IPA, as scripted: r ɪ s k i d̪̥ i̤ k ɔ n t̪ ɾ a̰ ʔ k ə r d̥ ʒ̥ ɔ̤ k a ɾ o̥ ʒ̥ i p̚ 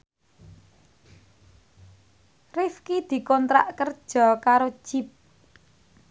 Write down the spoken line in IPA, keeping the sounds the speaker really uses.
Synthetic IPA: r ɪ f k i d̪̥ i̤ k ɔ n t̪ ɾ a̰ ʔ k ə r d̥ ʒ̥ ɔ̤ k a ɾ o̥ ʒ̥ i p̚